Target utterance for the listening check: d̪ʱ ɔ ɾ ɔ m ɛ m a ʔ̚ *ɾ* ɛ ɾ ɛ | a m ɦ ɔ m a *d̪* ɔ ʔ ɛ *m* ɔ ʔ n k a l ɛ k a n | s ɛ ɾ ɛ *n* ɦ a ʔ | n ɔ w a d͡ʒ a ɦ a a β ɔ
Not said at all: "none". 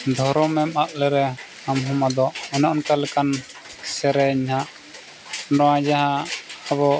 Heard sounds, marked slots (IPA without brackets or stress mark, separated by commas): l, d̪, n, ɲ